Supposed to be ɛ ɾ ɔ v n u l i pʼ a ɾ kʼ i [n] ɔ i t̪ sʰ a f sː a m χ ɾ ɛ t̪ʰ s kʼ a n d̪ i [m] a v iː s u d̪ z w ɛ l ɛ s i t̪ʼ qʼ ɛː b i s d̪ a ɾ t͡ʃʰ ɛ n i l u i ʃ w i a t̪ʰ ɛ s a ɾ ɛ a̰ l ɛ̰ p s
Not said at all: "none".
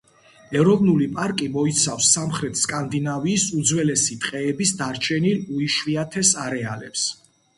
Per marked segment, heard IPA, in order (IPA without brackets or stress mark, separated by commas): m, n